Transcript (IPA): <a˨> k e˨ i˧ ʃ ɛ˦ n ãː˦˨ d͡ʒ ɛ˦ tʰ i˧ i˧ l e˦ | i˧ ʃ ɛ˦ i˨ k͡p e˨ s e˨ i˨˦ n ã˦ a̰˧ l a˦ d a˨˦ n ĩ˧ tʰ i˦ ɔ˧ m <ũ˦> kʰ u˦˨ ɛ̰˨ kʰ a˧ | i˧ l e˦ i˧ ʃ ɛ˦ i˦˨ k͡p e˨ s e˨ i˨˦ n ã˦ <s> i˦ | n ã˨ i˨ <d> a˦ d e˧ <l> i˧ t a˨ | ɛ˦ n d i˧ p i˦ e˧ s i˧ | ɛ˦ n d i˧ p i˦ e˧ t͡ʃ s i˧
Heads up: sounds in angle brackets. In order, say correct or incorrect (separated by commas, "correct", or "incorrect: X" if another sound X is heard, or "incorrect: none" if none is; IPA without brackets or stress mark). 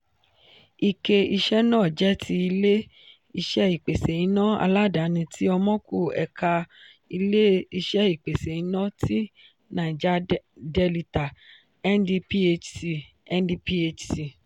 incorrect: i˨, incorrect: ɔ̃˦, incorrect: t, incorrect: d͡ʒ, correct